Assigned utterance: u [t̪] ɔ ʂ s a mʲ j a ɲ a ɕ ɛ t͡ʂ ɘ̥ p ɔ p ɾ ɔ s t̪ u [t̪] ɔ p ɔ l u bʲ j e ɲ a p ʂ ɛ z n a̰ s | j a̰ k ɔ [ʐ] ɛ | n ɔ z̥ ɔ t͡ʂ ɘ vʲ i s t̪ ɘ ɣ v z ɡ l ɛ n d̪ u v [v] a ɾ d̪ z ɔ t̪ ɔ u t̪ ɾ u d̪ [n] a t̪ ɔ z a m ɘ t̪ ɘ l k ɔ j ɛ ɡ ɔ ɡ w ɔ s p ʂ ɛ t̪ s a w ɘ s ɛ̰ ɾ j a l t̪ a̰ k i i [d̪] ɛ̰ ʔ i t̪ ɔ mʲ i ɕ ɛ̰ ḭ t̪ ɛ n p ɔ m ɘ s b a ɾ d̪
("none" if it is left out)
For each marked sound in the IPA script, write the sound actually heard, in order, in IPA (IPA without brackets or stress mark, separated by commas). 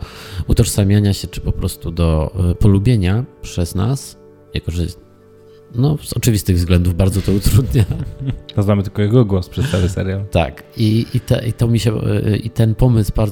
t̪, d̪, ʐ, b, ɲ, t̪